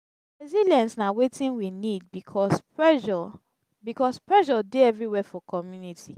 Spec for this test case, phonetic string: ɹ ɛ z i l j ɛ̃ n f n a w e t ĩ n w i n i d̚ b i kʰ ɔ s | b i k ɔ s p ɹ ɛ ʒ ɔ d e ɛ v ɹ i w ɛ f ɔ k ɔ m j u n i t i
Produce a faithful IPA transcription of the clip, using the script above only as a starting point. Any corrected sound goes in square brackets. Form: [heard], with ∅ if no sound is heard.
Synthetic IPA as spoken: ɹ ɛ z i l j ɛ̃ n [s] n a w e t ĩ n w i n i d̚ b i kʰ ɔ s | b i k ɔ s p ɹ ɛ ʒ ɔ d e ɛ v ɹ i w ɛ f ɔ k ɔ m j u n i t i